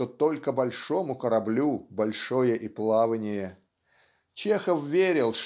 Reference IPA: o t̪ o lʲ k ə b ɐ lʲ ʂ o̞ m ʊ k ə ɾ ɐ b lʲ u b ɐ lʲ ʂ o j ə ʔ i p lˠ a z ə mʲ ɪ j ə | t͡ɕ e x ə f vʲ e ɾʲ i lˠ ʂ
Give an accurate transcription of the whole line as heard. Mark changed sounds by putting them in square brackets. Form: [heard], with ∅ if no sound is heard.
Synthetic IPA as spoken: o t̪ o lʲ k ə b ɐ lʲ ʂ o̞ m ʊ k ə ɾ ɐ b lʲ u b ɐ lʲ ʂ o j ə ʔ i p lˠ a [v] ə [nʲ] ɪ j ə | t͡ɕ e x ə f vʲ e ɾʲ [ɪ] lˠ ʂ